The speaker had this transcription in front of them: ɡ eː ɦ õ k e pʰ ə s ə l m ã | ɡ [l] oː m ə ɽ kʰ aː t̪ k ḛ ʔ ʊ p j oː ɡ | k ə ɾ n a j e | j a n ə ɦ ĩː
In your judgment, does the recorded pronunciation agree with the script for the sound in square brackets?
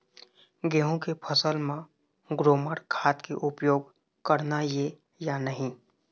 no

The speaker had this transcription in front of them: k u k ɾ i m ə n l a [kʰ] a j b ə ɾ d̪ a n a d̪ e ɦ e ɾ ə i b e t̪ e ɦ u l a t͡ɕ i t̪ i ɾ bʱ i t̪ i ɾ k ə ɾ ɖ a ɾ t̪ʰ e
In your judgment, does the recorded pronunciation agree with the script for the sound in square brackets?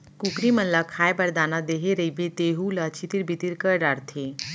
yes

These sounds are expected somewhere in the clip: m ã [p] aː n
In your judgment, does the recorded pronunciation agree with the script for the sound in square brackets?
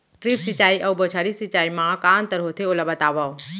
no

